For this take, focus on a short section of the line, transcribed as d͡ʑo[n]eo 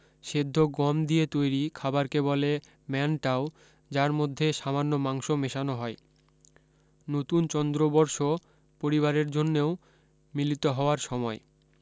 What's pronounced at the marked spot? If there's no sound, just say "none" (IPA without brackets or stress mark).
nː